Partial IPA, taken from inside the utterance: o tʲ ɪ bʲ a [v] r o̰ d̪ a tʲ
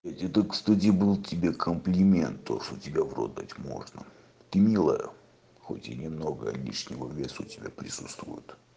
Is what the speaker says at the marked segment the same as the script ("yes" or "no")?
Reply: yes